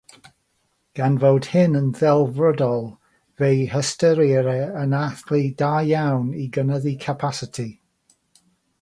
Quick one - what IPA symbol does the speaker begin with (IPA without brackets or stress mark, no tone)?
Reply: ɡ̥